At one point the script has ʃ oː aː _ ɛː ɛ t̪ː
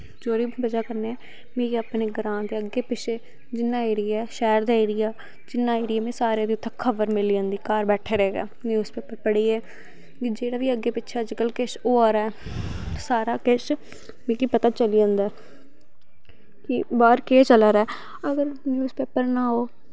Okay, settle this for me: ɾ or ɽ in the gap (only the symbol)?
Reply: ɾ